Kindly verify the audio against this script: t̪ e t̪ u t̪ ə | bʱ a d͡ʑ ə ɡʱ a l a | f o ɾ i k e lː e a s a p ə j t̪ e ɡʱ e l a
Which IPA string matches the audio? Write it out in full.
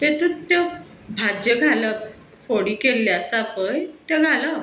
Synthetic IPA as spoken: t̪ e t̪ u t̪ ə | bʱ a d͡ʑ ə ɡʱ a l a | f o ɽ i k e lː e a s a p ə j t̪ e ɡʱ a l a